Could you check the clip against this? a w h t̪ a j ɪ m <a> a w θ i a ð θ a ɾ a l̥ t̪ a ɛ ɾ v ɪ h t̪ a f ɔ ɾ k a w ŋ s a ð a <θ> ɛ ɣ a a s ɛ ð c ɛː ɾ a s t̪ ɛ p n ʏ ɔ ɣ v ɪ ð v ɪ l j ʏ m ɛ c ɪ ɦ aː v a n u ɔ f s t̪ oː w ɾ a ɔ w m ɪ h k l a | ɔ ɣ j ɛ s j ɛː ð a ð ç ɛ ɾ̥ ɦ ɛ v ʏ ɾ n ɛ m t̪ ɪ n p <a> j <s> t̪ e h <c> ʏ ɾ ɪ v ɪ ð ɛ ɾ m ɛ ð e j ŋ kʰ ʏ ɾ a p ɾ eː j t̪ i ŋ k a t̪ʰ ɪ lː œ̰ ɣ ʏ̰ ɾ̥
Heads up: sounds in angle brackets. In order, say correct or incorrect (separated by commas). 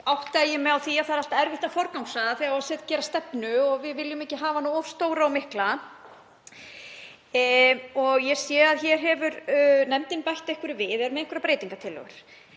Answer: incorrect, correct, correct, incorrect, incorrect